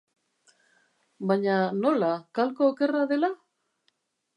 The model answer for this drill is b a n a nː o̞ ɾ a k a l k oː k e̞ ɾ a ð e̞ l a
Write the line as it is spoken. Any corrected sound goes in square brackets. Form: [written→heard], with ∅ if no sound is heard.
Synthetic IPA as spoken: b a [n→ɲ] a [nː→n] o̞ [ɾ→l] a k a l k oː k e̞ [ɾ→r] a ð e̞ l a